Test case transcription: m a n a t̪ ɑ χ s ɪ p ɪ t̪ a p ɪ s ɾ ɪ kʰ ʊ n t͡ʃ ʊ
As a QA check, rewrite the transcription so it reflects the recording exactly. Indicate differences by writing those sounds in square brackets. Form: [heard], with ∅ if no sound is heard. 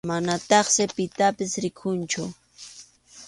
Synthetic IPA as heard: m a n a t̪ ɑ χ s ɪ p ɪ t̪ a p ɪ s ɾ ɪ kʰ ʊ n t͡ʃ ʊ